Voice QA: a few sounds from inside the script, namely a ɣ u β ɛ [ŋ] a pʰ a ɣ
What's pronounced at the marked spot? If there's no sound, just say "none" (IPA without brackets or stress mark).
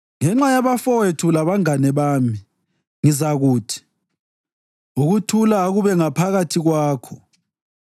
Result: ŋ